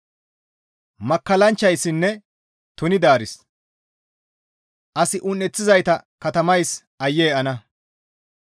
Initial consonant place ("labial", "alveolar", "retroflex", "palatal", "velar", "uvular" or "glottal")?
labial